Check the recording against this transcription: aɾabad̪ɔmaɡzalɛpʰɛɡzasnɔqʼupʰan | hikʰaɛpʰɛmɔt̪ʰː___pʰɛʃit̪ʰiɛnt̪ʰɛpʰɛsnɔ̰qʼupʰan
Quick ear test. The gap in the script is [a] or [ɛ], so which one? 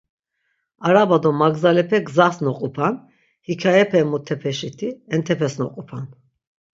ɛ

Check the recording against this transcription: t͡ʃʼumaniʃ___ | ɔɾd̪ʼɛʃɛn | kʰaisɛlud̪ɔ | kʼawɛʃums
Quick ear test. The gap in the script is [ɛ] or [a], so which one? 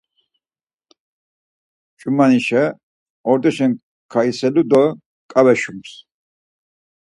ɛ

